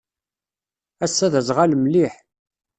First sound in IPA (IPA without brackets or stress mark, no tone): æ